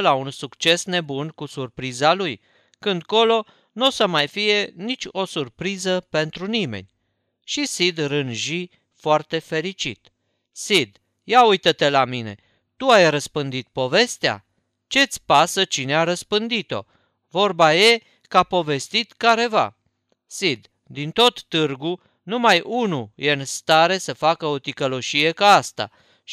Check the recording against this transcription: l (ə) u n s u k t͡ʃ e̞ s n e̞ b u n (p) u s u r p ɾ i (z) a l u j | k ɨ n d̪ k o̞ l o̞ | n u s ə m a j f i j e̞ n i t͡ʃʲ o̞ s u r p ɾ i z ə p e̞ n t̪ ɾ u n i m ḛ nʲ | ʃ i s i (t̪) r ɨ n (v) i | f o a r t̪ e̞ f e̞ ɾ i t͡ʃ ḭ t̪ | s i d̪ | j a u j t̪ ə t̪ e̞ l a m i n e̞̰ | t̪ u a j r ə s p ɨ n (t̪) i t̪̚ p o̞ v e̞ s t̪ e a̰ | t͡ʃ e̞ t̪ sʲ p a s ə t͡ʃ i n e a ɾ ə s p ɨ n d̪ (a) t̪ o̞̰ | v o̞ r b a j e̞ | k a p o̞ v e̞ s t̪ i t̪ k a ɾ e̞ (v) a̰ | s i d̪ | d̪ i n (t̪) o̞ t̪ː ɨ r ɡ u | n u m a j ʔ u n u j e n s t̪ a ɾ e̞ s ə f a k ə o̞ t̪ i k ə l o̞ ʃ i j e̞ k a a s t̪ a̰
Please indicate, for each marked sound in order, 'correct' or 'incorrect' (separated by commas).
incorrect, incorrect, correct, incorrect, incorrect, incorrect, incorrect, correct, correct